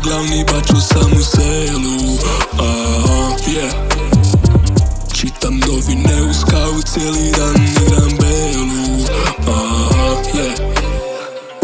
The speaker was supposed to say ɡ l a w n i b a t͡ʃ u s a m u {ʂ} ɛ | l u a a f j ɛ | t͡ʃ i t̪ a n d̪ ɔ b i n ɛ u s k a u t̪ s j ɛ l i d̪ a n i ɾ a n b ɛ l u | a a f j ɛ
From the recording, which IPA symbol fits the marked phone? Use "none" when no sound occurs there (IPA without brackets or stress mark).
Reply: s